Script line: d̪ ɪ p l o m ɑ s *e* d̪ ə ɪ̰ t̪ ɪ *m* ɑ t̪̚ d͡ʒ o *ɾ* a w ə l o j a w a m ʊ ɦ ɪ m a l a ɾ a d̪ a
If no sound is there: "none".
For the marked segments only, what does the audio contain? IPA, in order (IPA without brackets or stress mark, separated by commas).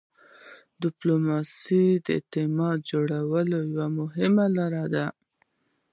i, m, ɽ